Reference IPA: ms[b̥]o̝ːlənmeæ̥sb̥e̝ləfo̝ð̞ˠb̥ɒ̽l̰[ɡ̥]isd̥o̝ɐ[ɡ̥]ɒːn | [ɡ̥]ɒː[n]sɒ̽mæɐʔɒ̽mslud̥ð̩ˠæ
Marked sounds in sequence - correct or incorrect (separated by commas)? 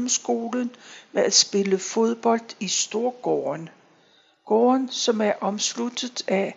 incorrect, incorrect, correct, correct, correct